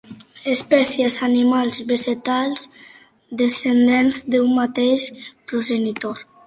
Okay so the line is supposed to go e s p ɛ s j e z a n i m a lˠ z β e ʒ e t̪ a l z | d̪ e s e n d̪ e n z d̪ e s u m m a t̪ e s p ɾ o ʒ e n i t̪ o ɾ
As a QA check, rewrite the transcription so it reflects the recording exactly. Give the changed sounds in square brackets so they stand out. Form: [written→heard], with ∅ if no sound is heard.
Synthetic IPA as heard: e s p ɛ s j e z a n i m a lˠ z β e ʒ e t̪ a l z | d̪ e s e n d̪ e n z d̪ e [s→∅] u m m a t̪ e [s→ʃ] p ɾ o ʒ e n i t̪ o ɾ